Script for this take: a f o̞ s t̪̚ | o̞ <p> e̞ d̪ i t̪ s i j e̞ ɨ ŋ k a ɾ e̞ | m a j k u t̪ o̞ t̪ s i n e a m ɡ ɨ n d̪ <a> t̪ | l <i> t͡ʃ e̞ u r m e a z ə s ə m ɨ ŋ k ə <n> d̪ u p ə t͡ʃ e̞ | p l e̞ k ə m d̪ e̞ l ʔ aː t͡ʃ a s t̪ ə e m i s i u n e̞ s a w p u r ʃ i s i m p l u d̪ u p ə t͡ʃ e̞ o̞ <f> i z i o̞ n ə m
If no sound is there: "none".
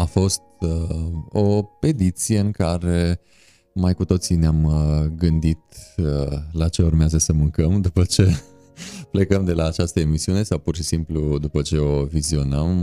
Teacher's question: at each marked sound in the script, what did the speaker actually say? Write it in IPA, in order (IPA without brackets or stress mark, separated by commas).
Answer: p, i, a, m, v